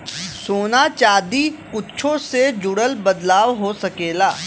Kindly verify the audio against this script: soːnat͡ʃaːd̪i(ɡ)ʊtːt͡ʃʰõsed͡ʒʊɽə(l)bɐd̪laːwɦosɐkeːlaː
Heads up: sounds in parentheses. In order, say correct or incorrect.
incorrect: k, correct

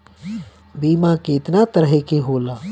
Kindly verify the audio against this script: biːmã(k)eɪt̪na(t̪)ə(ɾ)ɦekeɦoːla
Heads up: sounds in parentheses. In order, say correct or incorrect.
correct, correct, correct

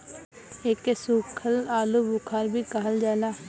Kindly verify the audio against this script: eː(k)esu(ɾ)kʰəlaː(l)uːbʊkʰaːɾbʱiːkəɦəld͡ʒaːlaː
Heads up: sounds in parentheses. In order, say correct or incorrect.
correct, incorrect: none, correct

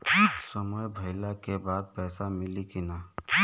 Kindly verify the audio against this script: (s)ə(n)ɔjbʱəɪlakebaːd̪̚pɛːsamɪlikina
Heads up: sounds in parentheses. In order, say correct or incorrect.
correct, incorrect: m

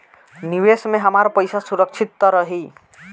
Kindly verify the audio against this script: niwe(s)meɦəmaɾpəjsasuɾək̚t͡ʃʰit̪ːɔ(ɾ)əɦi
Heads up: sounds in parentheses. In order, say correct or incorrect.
correct, correct

